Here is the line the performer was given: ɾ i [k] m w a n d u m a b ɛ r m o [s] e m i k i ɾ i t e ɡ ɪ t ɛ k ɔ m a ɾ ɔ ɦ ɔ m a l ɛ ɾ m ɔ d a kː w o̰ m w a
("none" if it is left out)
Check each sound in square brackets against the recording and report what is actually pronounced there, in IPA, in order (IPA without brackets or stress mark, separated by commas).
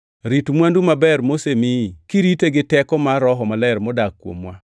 t, s